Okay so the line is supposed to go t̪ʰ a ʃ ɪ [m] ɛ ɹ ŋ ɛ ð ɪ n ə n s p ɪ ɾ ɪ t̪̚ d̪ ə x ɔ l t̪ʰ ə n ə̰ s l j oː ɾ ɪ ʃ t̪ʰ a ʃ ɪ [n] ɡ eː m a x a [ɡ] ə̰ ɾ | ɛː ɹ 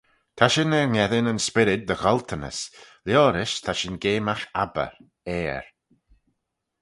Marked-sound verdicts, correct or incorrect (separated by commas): incorrect, correct, incorrect